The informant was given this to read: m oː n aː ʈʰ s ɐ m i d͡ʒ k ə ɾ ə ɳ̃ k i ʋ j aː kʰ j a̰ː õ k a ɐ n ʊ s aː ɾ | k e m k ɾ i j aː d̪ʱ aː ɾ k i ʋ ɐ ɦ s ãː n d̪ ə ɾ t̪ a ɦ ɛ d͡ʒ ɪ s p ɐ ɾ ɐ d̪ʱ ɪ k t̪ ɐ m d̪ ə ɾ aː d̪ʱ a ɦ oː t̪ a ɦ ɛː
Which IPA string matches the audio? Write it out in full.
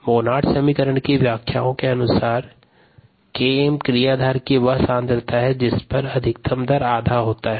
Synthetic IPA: m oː n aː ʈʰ s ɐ m i k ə ɾ ə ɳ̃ k i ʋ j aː kʰ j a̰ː õ k e ɐ n ʊ s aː ɾ | k e m k ɾ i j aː d̪ʱ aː ɾ k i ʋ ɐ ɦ s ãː n d̪ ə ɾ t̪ a ɦ ɛ d͡ʒ ɪ s p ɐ ɾ ɐ d̪ʱ ɪ k t̪ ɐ m d̪ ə ɾ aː d̪ʱ a ɦ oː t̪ a ɦ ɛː